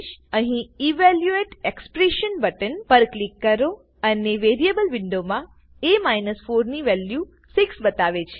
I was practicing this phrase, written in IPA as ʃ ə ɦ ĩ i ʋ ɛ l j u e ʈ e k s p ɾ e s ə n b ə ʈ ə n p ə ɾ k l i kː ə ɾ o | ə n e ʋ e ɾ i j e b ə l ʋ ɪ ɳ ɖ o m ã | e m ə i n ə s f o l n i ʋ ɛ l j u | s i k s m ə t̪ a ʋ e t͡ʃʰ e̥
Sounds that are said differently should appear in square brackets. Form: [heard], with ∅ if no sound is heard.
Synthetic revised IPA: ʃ ə ɦ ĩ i ʋ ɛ l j u e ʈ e k s p ɾ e [ʃ] ə n b ə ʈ ə n p ə ɾ k l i kː ə ɾ o | ə n e ʋ e ɾ i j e b ə l ʋ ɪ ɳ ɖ o m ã | e m [a] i n ə s f o [ɾ] n i ʋ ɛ l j u | s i k s [b] ə t̪ a ʋ e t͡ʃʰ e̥